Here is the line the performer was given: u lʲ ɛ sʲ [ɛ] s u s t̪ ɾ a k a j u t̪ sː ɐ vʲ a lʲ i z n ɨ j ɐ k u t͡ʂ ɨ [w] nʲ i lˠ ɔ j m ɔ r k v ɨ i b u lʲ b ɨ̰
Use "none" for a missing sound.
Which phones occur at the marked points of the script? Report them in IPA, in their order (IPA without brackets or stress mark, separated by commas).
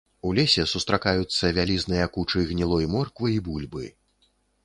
ɛ, ɣ